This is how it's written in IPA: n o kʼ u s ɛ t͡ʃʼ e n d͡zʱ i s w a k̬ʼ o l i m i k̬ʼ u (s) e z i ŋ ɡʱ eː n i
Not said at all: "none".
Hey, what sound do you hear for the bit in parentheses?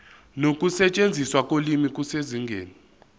s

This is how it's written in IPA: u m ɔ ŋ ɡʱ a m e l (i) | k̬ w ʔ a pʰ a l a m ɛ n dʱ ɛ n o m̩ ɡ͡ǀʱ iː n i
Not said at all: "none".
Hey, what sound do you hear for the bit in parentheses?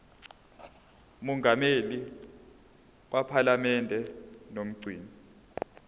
i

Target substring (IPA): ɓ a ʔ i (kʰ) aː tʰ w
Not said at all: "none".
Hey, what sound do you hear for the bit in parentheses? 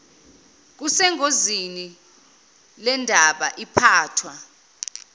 pʰ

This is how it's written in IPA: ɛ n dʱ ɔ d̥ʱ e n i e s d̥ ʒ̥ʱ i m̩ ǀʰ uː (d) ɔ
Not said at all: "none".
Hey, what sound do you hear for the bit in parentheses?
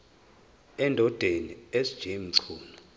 n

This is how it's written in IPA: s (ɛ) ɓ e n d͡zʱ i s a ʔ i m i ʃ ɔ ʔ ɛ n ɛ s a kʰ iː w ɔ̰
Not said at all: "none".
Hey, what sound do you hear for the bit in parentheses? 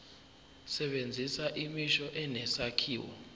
ɛ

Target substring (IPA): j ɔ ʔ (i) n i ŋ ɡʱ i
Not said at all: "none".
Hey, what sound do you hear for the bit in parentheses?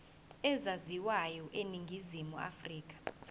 e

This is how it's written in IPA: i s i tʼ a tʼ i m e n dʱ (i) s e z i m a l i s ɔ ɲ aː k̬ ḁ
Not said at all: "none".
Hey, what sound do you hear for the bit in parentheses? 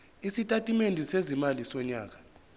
i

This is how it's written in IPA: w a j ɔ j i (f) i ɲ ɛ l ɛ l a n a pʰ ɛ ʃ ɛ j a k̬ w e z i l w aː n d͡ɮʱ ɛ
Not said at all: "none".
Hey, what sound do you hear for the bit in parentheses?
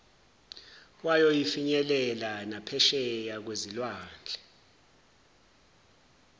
f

